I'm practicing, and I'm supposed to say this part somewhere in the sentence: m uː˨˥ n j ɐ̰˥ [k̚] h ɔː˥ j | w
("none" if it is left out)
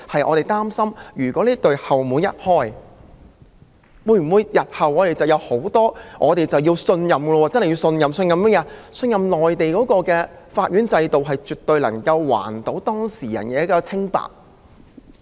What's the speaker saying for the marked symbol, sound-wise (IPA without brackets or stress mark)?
t̚